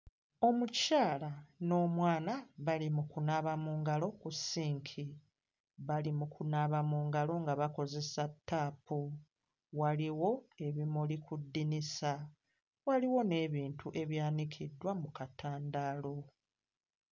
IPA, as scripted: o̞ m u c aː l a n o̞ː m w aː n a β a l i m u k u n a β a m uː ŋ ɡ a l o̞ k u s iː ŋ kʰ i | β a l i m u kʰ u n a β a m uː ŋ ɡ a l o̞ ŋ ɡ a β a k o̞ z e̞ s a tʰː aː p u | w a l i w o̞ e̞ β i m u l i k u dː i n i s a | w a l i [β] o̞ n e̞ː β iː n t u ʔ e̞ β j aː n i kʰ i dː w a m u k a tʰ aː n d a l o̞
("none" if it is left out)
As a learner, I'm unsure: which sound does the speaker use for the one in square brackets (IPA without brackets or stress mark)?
w